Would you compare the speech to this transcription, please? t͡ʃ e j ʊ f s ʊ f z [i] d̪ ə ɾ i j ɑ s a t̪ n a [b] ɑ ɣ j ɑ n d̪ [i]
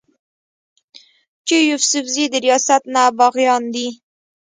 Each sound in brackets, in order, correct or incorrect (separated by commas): correct, correct, correct